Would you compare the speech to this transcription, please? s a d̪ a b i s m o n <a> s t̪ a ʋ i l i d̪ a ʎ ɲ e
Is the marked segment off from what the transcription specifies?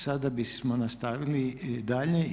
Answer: no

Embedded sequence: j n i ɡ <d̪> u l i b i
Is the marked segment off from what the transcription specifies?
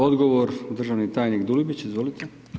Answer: no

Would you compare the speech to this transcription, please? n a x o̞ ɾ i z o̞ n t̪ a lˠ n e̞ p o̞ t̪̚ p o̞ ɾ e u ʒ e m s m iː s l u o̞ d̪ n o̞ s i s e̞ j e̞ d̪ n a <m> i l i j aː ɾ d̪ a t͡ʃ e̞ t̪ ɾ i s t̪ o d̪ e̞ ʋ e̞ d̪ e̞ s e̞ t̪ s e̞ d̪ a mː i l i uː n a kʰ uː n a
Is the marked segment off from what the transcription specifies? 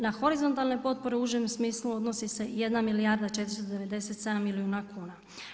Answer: no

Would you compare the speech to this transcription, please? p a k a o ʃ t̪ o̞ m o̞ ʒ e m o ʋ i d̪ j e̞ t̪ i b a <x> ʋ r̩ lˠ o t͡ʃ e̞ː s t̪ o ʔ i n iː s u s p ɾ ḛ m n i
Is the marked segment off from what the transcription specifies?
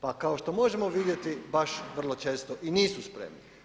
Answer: yes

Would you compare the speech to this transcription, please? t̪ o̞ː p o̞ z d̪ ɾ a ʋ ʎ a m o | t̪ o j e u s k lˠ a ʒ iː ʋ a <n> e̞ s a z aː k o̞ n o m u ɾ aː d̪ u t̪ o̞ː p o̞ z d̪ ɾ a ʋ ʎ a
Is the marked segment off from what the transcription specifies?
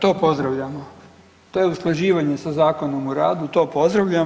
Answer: yes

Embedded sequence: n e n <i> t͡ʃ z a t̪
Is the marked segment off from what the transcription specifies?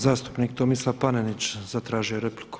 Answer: no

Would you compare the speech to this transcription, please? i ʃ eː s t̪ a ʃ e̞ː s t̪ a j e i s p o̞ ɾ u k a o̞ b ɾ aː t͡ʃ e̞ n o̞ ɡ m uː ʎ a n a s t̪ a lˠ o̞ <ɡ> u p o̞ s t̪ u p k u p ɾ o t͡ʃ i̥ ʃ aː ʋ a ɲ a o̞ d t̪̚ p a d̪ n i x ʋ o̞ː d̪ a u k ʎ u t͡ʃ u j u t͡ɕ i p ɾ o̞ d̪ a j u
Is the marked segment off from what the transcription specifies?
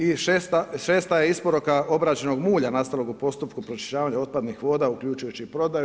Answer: no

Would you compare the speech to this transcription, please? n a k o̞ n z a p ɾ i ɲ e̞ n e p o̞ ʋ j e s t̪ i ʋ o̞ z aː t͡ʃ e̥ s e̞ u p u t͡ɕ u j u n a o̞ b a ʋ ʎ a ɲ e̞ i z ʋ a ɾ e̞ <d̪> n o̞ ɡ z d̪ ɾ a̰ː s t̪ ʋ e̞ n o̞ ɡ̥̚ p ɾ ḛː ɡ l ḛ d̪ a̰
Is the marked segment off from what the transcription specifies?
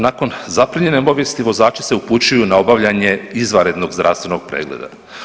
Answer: no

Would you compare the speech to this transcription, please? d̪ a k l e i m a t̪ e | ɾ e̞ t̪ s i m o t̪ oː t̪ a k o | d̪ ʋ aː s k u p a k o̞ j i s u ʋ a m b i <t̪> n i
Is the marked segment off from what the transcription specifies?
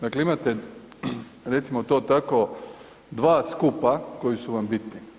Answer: no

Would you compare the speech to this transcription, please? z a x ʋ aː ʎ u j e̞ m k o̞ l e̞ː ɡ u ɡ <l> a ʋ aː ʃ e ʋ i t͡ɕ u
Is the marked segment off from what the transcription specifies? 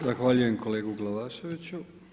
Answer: no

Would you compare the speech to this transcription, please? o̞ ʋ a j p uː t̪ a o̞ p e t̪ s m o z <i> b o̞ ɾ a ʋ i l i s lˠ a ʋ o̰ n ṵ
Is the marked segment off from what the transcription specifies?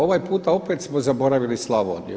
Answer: yes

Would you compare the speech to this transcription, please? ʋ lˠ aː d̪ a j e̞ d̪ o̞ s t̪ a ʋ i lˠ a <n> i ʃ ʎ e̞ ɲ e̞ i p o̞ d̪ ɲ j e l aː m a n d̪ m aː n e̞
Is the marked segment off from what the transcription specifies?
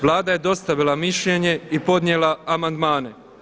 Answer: yes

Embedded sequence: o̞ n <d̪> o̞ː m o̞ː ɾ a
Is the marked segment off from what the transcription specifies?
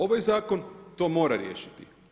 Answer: yes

